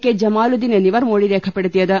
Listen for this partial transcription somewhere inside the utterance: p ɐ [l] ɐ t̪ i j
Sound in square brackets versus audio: incorrect: ɽ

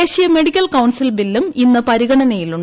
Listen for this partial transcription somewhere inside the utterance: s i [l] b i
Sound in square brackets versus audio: correct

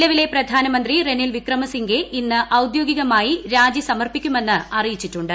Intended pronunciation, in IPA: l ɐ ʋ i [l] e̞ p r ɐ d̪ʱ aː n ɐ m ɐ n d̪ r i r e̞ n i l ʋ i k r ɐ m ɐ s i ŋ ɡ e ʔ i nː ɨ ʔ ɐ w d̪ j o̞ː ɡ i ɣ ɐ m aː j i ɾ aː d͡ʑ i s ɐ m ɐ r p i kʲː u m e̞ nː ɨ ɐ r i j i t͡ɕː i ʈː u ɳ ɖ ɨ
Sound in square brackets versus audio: correct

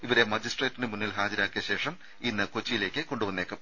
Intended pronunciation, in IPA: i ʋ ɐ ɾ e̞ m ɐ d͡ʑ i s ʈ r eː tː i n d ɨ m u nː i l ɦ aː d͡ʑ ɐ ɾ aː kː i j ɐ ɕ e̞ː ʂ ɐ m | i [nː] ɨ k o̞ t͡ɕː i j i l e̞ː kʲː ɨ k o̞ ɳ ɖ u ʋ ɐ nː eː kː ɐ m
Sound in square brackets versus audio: correct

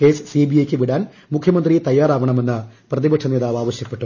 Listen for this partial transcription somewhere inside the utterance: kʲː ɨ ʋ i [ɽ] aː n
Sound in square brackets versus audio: correct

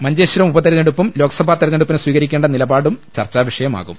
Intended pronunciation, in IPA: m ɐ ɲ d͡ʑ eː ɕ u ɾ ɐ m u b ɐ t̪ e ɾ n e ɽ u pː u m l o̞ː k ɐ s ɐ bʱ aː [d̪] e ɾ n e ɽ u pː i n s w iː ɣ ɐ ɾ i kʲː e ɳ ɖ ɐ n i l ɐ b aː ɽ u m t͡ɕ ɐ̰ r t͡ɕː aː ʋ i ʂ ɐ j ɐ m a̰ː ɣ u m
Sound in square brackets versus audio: incorrect: t̪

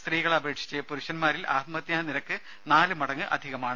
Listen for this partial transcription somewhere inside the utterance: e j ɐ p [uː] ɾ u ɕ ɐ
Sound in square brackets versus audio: incorrect: u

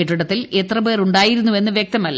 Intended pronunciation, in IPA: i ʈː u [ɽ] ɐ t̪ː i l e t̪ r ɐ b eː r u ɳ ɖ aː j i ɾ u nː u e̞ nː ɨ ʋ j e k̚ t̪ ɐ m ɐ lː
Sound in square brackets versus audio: correct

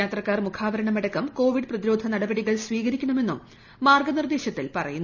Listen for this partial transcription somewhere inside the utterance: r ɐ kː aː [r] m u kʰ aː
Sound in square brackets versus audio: correct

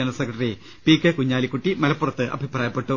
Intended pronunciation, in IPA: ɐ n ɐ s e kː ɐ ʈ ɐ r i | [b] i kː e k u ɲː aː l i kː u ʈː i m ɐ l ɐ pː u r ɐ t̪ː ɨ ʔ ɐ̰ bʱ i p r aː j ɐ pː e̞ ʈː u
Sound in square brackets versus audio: incorrect: p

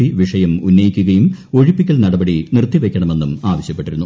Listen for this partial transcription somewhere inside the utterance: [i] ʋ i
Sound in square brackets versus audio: correct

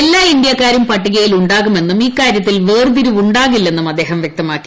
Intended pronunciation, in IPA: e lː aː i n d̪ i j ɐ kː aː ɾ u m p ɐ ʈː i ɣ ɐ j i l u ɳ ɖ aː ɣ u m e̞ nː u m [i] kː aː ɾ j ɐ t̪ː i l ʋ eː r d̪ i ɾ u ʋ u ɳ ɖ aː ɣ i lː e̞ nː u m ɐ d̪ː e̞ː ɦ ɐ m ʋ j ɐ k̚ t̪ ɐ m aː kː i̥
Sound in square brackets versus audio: incorrect: iː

